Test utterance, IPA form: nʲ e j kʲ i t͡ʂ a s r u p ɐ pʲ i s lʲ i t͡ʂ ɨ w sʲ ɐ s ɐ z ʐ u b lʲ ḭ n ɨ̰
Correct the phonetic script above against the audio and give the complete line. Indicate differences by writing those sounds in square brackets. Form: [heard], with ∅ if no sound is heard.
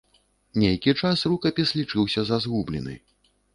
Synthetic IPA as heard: nʲ e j kʲ i t͡ʂ a s r u [k] ɐ pʲ i s lʲ i t͡ʂ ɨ w sʲ ɐ [z] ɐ z [ɣ] u b lʲ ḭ n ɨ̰